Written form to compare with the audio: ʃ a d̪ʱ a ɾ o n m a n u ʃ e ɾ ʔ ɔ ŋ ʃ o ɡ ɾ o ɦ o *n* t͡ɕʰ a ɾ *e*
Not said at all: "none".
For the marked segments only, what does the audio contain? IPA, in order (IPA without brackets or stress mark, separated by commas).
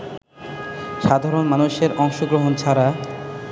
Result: n, a